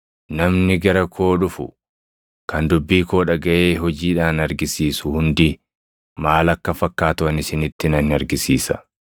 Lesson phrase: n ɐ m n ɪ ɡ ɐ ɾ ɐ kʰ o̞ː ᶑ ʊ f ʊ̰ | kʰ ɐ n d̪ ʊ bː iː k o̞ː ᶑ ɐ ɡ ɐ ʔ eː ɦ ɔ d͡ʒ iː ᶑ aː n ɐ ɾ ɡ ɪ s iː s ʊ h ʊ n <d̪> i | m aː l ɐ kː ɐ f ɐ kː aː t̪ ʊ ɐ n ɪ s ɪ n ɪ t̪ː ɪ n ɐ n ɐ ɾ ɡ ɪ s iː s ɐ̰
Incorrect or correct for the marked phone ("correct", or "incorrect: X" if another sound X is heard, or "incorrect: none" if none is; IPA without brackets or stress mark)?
correct